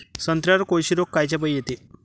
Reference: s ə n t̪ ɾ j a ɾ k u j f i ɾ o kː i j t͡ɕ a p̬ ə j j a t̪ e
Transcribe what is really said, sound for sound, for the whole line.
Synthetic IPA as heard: s ə n t̪ ɾ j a ɾ k o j ɕ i ɾ o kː a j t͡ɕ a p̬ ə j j e t̪ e